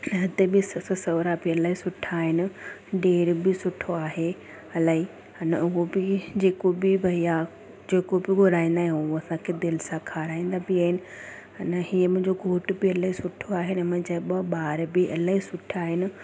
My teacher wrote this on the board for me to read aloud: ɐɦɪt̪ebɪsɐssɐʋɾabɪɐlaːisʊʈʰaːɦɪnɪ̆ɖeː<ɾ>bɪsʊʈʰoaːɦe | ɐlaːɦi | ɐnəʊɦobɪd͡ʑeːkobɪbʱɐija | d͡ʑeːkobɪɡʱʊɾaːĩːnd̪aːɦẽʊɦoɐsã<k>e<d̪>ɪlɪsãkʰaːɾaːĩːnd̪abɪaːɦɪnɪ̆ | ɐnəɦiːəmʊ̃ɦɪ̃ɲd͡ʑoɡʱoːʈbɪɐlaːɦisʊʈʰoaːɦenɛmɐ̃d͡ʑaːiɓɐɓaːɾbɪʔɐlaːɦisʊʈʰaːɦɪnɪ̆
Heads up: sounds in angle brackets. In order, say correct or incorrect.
correct, incorrect, correct

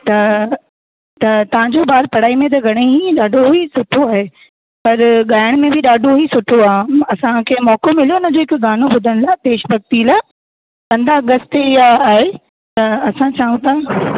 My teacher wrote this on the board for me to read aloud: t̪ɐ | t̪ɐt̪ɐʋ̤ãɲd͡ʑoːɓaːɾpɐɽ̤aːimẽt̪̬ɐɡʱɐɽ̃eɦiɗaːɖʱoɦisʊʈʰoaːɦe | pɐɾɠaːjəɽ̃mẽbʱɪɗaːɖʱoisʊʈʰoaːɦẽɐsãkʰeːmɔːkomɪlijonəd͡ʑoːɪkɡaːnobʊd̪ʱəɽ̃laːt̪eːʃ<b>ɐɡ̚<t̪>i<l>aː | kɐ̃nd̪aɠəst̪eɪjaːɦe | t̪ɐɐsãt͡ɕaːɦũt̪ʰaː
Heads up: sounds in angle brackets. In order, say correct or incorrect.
correct, correct, correct

